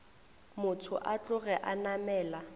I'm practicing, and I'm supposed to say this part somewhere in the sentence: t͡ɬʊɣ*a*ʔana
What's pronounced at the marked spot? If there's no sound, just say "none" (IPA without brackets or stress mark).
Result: ɛ